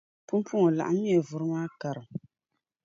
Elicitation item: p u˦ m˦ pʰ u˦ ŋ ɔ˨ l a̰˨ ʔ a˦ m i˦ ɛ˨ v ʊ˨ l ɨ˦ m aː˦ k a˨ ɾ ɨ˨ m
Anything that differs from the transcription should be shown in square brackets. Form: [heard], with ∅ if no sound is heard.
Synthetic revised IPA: p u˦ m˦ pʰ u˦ ŋ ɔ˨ l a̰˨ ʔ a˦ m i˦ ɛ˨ v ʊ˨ [ɾ] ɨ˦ m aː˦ k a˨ ɾ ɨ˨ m